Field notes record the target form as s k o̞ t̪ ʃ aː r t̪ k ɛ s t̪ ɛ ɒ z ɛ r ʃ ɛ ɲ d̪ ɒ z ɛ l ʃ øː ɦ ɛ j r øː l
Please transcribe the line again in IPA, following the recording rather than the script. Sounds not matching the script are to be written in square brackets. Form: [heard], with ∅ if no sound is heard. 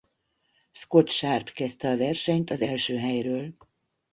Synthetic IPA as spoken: s k o̞ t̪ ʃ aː r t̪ k ɛ s t̪ ɛ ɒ [v] ɛ r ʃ ɛ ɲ [t̪] ɒ z ɛ l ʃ øː ɦ ɛ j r øː l